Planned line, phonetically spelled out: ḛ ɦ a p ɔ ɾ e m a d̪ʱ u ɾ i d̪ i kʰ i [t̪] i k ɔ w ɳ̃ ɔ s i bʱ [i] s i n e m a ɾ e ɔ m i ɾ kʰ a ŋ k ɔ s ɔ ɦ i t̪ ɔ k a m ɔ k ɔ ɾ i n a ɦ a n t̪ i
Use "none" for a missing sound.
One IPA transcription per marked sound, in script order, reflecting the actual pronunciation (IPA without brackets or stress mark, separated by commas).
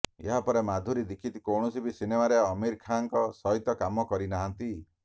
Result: t̪, i